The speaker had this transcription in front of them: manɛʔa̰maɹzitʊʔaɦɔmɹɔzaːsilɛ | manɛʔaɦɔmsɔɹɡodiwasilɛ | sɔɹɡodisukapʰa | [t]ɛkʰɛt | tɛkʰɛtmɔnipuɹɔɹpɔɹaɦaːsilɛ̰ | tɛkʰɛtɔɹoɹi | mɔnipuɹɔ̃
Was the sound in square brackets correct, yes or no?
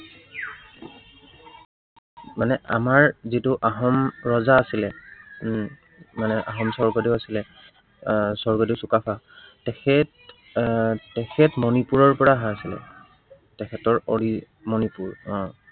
yes